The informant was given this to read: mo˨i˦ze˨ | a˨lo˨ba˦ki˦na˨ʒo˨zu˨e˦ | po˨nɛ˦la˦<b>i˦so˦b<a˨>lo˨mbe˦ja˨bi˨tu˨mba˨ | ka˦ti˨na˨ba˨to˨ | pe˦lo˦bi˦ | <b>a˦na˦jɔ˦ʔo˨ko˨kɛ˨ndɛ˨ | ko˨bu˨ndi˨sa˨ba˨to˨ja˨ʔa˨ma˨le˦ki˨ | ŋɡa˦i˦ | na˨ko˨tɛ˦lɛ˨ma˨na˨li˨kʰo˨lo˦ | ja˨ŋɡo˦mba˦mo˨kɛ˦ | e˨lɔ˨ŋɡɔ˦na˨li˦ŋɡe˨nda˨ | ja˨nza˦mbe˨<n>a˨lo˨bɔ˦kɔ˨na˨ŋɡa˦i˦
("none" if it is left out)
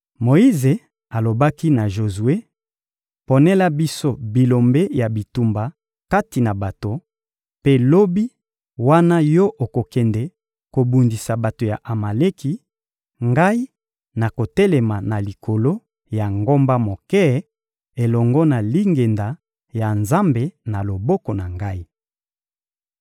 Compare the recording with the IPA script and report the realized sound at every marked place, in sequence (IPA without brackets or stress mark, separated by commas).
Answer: b, i˨, w, n